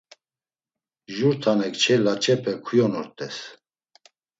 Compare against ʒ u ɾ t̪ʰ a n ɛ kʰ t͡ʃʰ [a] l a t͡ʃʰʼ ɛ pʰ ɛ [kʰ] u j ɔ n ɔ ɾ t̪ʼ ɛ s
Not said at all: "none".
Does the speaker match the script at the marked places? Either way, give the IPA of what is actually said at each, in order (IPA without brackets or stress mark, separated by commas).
ɛ, kʰ